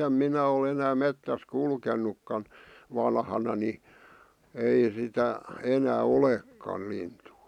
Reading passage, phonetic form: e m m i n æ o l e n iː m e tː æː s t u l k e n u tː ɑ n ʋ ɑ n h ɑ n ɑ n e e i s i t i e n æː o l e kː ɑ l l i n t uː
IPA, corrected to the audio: e m m i n æ o l e n æː m e tː æ s k u l k e nː u kː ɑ n ʋ ɑ n h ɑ n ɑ n i e i s i t æ e n æː o l e kː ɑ l l i n t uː